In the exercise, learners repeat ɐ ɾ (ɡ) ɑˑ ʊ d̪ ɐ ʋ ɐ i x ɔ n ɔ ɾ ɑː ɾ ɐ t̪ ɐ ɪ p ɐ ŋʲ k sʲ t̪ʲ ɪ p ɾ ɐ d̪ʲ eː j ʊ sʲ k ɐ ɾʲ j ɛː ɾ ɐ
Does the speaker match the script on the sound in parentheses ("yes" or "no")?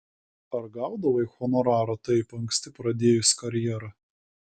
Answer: yes